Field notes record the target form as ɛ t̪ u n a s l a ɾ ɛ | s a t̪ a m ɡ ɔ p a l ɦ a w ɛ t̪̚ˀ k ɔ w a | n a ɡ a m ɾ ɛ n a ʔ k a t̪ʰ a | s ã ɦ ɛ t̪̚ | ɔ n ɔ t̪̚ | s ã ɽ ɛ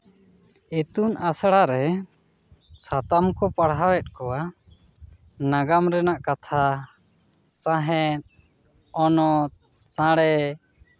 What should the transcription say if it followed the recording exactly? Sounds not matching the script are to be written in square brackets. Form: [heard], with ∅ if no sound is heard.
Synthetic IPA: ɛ t̪ u n a s [ɽ] a ɾ ɛ | s a t̪ a m [k] ɔ p a [ɽ] ɦ a w ɛ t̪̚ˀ k ɔ w a | n a ɡ a m ɾ ɛ n a ʔ k a t̪ʰ a | s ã ɦ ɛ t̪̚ | ɔ n ɔ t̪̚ | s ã ɽ ɛ

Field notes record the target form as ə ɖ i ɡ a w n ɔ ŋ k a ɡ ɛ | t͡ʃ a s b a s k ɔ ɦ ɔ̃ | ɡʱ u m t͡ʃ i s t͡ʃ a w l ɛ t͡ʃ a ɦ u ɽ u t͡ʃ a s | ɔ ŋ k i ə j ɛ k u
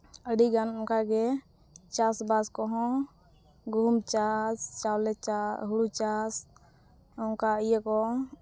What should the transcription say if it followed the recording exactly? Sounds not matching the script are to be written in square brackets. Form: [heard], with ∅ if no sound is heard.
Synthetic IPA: ə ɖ i ɡ a [∅] n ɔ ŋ k a ɡ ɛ | t͡ʃ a s b a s k ɔ ɦ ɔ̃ | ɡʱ u m t͡ʃ [a] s t͡ʃ a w l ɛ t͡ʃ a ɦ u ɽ u t͡ʃ a s | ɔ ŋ k [a] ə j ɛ k [ɔ]

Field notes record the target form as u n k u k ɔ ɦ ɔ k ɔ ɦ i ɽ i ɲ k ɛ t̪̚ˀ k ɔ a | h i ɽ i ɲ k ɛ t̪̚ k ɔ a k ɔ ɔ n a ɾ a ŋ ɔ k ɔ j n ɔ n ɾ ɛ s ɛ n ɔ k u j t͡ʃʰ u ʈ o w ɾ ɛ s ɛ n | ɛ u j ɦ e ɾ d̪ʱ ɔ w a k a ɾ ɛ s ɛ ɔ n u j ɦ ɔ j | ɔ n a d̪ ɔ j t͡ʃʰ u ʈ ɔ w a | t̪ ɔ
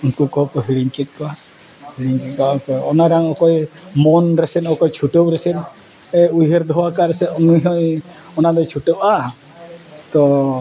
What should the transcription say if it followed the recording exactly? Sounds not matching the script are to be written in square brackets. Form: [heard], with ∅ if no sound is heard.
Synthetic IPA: u n k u k ɔ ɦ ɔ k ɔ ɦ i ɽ i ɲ k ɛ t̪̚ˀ k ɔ a | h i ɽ i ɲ k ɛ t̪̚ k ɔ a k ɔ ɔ n a ɾ a ŋ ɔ k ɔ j [m] ɔ n ɾ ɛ s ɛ n ɔ k [ɔ] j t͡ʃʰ u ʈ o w ɾ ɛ s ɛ n | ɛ u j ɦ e ɾ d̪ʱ ɔ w a k a ɾ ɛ s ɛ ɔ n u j ɦ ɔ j | ɔ n a d̪ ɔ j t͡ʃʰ u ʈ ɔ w a | t̪ ɔ

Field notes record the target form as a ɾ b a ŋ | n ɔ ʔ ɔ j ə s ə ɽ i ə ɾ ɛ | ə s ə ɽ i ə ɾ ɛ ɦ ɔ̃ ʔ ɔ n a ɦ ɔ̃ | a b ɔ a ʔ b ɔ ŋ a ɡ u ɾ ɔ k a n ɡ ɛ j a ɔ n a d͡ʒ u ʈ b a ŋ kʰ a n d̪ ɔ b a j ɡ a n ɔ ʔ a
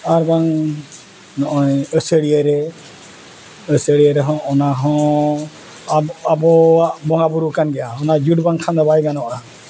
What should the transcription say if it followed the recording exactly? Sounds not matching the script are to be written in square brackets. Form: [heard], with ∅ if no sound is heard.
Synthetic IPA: a ɾ b a ŋ | n ɔ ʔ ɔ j ə s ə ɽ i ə ɾ ɛ | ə s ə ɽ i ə ɾ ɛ ɦ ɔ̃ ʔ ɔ n a ɦ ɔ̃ | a b ɔ a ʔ b ɔ ŋ a [b] u ɾ [u] k a n ɡ ɛ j a ɔ n a d͡ʒ u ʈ b a ŋ kʰ a n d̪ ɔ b a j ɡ a n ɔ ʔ a

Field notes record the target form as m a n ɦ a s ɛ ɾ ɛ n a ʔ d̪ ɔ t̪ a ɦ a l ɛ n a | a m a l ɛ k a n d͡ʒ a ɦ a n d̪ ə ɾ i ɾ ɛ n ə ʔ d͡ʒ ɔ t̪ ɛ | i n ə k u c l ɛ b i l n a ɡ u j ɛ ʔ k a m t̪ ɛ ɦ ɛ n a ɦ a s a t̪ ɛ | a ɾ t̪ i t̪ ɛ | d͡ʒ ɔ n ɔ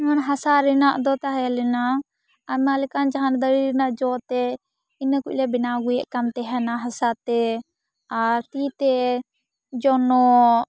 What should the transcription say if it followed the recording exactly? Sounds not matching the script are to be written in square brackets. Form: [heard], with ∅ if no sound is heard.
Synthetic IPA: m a n ɦ a s [a] ɾ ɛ n a ʔ d̪ ɔ t̪ a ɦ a l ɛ n a | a m a l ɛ k a n d͡ʒ a ɦ a n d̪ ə ɾ i ɾ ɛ n [a] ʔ d͡ʒ ɔ t̪ ɛ | i n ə k u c l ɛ b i [∅] n a ɡ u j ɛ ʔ k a m t̪ ɛ ɦ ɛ n a ɦ a s a t̪ ɛ | a ɾ t̪ i t̪ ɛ | d͡ʒ ɔ n ɔ

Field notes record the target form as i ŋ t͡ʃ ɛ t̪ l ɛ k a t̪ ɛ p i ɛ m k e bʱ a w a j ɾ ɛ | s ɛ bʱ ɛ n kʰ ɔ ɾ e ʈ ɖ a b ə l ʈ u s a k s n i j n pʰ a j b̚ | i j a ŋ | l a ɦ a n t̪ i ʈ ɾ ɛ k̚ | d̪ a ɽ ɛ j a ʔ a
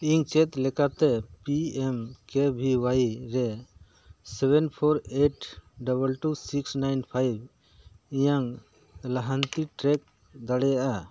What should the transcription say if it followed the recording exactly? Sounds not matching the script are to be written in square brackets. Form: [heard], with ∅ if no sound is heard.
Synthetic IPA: i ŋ t͡ʃ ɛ t̪ l ɛ k a t̪ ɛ p i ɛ m k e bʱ [i] w a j ɾ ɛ | s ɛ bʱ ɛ n [pʰ] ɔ ɾ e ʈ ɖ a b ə l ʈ u s [i] k s n [a] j n pʰ a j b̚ | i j a ŋ | l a ɦ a n t̪ i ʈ ɾ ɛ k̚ | d̪ a ɽ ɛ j a ʔ a

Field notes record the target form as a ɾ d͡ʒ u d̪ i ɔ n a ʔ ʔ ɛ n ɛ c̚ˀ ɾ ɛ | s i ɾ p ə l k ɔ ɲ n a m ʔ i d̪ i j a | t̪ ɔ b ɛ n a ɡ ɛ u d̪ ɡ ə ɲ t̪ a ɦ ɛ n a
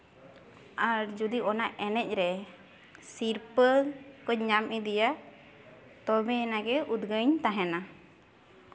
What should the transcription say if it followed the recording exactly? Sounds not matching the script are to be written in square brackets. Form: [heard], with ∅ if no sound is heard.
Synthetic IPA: a ɾ d͡ʒ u d̪ i ɔ n a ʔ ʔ ɛ n ɛ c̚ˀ ɾ ɛ | s i ɾ p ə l k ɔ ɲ [ɲ] a m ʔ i d̪ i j a | t̪ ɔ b ɛ n a ɡ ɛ u d̪ ɡ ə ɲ t̪ a ɦ ɛ n a

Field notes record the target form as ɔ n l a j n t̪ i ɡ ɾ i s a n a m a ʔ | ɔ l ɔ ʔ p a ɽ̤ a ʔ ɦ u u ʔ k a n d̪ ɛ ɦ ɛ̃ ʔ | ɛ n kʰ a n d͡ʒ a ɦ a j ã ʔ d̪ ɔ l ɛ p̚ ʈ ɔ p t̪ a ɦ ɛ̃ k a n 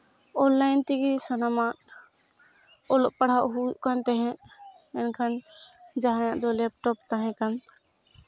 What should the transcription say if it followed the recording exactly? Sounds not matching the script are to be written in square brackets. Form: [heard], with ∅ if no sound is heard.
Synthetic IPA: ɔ n l a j n t̪ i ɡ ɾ i s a n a m a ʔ | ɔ l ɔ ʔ p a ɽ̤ a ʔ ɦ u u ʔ k a n [t̪] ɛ ɦ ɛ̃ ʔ | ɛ n kʰ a n d͡ʒ a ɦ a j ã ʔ d̪ ɔ l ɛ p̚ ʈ ɔ p t̪ a ɦ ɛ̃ k a n

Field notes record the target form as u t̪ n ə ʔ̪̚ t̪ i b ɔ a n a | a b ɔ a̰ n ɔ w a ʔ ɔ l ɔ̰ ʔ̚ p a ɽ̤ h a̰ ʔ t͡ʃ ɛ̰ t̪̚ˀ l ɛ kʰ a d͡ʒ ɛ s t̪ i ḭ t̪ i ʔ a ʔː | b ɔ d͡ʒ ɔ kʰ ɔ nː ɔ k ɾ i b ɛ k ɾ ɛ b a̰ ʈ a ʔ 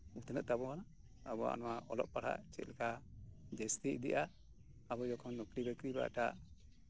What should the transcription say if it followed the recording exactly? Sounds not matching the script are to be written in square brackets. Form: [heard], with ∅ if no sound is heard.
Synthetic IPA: u t̪ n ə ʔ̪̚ t̪ [a] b ɔ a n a | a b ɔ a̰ n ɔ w a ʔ ɔ l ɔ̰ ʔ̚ p a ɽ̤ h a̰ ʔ t͡ʃ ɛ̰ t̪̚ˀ l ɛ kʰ a d͡ʒ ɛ s t̪ i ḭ [d̪] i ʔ a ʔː | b ɔ d͡ʒ ɔ kʰ ɔ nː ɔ k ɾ i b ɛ k ɾ [i] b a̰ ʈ a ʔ

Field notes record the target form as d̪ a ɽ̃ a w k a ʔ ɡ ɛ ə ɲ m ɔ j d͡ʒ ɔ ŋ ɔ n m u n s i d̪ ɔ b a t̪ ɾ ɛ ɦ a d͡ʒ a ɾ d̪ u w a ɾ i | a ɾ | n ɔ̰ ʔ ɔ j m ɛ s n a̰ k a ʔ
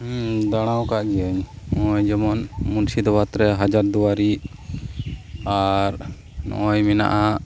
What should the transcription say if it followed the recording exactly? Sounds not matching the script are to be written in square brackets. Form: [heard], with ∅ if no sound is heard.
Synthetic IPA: d̪ a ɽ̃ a w k a ʔ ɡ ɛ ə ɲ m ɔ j d͡ʒ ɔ [m] ɔ n m u n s i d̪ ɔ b a t̪ ɾ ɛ ɦ a d͡ʒ a ɾ d̪ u w a ɾ i | a ɾ | n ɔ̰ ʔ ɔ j m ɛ [∅] n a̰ [ʔ] a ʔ

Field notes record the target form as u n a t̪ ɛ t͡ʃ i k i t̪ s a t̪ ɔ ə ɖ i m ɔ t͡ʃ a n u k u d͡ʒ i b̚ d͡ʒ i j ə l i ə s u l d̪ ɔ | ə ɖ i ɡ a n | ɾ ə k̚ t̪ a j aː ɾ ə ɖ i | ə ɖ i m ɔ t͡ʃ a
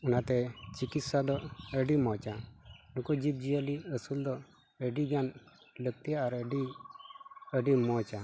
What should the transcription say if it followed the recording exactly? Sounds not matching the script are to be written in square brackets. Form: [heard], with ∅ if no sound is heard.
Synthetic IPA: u n a t̪ ɛ t͡ʃ i k i t̪ s a [d̪] ɔ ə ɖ i m ɔ t͡ʃ a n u k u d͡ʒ i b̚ d͡ʒ i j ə l i ə s u l d̪ ɔ | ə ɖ i ɡ a n | [l] ə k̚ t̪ [i] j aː ɾ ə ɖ i | ə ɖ i m ɔ t͡ʃ a

